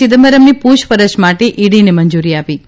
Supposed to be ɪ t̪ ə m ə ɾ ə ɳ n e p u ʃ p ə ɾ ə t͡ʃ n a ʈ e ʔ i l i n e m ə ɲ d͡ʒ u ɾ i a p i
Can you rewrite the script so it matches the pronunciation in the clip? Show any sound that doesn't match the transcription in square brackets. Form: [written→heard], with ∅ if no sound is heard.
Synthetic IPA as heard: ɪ [t̪→d̪] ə m ə ɾ ə [ɳ→m] n [e→i] p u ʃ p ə ɾ ə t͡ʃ [n→m] a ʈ e ʔ i [l→ɽ] i n e m ə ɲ d͡ʒ u ɾ i a p i